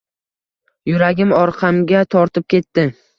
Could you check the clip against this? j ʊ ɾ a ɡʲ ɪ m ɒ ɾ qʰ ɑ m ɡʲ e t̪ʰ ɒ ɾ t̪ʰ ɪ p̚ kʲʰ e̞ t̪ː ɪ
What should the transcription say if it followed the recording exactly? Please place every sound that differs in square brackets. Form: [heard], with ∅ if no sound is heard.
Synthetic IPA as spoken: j ʊ ɾ a ɡʲ ɪ m ɒ ɾ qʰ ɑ m ɡʲ [a] t̪ʰ ɒ ɾ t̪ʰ ɪ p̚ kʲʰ e̞ t̪ː ɪ